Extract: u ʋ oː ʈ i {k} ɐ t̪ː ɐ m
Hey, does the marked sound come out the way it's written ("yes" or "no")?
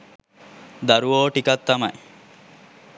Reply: yes